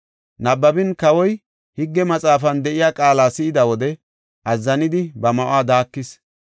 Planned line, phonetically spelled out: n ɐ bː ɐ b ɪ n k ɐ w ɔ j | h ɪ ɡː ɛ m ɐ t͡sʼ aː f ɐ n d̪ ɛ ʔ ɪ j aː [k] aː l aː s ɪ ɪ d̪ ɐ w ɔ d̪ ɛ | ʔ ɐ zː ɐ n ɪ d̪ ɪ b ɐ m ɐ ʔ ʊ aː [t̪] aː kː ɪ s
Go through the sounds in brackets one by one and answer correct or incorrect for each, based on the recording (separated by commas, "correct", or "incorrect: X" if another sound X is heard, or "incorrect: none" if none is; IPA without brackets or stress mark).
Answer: incorrect: kʼ, incorrect: d̪